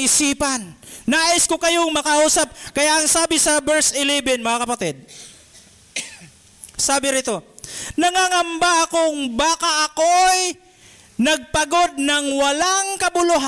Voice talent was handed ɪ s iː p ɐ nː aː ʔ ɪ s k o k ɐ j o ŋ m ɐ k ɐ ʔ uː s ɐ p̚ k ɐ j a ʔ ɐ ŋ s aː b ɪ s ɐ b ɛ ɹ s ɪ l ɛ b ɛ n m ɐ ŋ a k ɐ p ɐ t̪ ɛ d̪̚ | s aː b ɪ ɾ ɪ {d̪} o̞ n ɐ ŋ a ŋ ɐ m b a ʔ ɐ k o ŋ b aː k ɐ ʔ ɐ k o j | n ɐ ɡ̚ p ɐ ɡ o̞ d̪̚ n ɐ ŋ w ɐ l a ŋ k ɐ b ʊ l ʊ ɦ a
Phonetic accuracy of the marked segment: incorrect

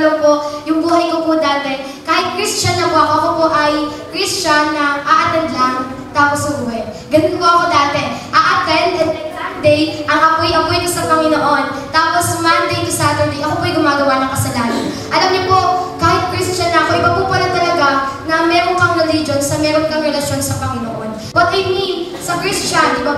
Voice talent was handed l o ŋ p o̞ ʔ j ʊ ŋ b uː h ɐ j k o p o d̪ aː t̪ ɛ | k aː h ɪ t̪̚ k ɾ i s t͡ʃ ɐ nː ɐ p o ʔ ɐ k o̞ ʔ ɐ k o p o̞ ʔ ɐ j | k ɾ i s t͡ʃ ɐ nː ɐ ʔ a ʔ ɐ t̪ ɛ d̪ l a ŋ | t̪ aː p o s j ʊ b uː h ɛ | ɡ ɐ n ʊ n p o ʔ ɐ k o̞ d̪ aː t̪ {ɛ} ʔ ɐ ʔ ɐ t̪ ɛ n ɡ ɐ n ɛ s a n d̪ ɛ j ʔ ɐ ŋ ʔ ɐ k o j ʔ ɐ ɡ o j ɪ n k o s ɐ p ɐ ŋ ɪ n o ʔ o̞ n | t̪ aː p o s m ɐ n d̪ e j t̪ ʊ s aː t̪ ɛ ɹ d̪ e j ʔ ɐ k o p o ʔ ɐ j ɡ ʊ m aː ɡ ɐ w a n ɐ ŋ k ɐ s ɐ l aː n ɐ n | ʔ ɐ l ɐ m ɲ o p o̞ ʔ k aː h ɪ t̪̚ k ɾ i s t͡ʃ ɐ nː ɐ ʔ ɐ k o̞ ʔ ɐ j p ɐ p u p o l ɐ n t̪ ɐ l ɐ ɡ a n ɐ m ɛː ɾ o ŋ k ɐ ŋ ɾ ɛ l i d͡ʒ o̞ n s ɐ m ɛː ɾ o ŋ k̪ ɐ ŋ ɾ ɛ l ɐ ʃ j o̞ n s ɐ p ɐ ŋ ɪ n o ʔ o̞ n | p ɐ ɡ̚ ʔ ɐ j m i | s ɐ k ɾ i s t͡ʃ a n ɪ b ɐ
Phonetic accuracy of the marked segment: correct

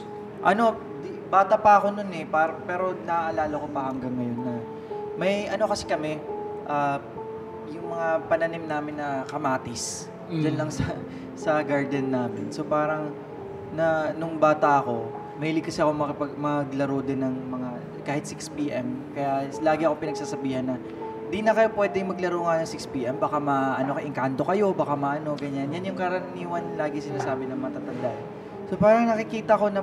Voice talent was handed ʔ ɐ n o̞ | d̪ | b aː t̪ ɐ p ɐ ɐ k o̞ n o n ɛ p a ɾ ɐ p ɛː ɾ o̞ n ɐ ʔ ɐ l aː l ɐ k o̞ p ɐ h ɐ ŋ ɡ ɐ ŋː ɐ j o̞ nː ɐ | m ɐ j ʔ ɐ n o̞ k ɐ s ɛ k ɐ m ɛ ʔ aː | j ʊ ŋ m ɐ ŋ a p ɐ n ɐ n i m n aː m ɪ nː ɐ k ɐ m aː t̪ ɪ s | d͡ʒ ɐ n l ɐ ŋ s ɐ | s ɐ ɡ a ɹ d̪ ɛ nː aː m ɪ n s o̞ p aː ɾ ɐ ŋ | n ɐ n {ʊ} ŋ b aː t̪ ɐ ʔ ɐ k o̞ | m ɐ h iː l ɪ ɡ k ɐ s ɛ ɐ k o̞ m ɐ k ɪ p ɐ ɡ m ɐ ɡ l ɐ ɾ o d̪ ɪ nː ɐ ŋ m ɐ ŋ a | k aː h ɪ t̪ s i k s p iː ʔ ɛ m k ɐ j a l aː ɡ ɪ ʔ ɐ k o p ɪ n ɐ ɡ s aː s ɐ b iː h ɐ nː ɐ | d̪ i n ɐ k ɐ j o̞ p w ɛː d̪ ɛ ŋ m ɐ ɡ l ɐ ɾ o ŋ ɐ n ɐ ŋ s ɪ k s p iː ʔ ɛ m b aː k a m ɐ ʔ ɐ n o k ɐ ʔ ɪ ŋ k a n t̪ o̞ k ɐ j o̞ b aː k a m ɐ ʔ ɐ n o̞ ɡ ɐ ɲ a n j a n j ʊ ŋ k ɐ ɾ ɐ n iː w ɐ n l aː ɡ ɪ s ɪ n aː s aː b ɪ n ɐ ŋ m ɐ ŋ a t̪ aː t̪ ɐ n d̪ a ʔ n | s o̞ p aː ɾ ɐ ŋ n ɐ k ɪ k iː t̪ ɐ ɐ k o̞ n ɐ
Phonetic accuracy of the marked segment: correct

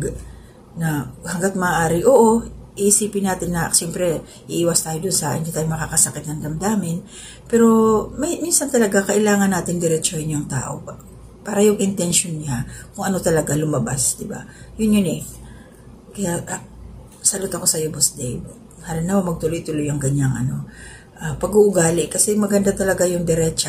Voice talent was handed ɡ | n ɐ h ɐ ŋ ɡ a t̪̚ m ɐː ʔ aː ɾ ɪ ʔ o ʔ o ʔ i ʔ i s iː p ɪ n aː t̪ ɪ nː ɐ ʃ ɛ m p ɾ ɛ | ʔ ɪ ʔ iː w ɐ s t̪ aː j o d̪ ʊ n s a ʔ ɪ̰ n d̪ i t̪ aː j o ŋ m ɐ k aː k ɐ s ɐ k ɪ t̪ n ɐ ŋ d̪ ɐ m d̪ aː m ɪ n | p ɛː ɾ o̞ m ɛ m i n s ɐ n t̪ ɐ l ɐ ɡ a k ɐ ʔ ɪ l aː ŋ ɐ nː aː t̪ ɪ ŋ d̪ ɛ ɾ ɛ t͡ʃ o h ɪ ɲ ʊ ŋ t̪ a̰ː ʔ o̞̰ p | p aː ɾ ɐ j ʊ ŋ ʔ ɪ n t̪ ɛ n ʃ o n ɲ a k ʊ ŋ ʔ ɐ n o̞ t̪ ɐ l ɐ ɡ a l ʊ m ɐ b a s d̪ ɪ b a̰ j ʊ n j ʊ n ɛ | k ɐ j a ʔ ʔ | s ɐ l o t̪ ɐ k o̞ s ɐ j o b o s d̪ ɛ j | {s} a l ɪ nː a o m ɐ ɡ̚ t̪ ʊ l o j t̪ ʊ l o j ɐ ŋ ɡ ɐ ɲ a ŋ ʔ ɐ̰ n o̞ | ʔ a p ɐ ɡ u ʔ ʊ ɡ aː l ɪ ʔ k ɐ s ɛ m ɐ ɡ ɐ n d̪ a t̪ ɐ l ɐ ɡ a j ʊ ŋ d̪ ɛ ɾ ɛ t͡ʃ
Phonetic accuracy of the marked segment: incorrect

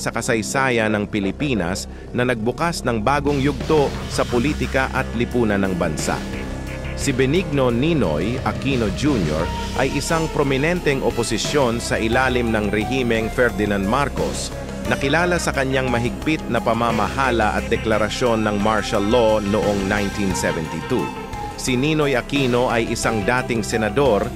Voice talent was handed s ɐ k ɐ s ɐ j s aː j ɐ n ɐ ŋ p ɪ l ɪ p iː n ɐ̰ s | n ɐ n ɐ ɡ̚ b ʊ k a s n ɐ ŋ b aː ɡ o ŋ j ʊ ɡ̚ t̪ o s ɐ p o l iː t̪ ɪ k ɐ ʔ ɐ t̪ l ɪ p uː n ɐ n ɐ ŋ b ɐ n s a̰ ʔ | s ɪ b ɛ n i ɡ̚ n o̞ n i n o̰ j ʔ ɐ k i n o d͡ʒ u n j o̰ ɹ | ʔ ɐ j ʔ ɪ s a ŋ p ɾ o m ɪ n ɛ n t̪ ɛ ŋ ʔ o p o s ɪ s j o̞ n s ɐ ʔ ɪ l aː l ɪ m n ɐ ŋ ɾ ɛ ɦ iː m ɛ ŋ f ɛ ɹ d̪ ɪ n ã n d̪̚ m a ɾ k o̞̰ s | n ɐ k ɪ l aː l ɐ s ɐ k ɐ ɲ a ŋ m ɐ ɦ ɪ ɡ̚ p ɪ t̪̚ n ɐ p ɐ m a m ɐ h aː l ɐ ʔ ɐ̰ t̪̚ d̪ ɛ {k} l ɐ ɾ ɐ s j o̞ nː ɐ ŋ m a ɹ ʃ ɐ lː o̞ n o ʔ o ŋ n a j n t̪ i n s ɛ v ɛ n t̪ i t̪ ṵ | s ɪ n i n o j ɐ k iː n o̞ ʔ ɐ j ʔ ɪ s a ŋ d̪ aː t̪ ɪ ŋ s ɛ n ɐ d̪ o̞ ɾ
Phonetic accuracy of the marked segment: correct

